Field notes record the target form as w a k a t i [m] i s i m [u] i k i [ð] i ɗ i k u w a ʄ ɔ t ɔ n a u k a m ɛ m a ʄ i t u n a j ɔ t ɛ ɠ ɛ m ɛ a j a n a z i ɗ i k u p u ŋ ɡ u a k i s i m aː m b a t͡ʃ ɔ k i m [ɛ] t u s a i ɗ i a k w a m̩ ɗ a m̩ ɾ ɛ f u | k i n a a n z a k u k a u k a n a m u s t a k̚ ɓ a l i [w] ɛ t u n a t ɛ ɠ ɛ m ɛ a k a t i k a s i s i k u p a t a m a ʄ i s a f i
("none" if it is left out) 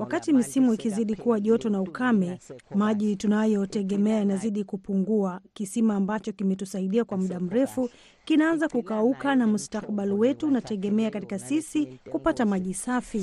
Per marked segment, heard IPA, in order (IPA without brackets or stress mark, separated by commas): m, u, z, ɛ, w